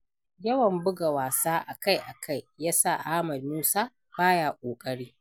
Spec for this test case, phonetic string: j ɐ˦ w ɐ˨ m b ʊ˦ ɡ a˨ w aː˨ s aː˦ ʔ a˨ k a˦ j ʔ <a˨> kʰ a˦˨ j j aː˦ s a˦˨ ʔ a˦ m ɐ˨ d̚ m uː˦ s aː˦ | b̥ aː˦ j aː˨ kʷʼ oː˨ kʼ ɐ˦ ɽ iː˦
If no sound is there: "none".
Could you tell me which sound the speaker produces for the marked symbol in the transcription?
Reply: a˨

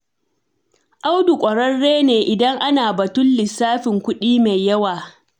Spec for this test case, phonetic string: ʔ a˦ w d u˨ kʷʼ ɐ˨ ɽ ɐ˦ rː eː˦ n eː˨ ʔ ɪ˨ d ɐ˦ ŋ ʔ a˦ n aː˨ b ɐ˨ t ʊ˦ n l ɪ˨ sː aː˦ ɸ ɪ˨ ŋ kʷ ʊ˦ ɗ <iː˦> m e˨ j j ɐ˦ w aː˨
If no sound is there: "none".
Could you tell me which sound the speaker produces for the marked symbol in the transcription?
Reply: iː˦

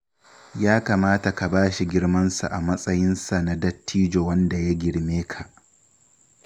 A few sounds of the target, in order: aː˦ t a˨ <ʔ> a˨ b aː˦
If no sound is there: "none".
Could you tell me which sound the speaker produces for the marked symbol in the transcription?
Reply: k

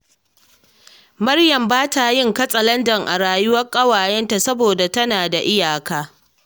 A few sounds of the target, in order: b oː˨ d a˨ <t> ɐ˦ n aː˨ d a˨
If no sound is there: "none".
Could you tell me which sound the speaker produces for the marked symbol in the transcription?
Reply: t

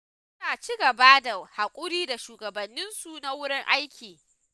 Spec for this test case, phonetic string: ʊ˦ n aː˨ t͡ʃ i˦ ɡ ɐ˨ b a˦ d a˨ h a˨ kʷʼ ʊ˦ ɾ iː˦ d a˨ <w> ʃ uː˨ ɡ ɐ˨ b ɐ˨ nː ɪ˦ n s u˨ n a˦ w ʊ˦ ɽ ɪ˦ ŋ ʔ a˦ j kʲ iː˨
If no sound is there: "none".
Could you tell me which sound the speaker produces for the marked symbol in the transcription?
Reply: none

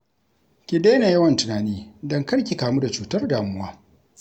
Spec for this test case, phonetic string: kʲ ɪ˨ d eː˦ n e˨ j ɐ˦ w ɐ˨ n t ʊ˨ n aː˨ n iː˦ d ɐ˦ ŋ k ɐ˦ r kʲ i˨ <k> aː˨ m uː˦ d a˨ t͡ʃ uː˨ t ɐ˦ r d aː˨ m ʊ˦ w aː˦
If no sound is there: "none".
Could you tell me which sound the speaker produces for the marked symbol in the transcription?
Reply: k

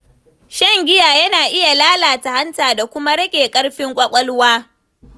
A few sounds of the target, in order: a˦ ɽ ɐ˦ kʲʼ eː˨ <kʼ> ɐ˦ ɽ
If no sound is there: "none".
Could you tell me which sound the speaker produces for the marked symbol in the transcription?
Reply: kʼ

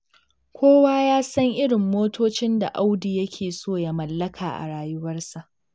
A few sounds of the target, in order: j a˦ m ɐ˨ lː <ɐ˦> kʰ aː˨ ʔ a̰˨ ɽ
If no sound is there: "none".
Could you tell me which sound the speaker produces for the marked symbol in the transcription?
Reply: ɐ˦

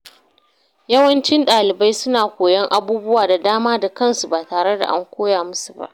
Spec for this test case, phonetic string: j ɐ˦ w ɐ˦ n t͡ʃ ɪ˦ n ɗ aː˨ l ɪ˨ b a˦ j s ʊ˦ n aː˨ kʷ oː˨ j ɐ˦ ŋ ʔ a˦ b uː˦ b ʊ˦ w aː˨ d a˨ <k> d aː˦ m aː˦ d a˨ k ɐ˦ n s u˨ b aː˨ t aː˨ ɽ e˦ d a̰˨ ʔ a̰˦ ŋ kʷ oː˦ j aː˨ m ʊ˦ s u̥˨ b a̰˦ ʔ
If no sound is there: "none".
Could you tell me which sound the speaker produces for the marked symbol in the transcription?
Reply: none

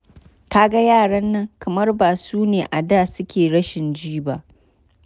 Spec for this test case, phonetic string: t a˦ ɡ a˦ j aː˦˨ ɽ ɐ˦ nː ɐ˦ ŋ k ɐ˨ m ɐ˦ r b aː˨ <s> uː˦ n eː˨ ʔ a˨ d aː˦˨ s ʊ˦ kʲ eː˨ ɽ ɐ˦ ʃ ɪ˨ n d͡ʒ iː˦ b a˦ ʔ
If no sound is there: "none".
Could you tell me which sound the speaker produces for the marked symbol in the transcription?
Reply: s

